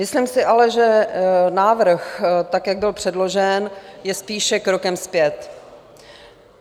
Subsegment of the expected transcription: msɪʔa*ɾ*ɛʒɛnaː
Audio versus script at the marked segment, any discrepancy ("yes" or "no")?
yes